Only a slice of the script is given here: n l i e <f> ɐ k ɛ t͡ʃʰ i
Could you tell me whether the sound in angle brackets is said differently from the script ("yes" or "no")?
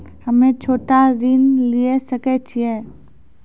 yes